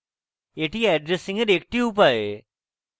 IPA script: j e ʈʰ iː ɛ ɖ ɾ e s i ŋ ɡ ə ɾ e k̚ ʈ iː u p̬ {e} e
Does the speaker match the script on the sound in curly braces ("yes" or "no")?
no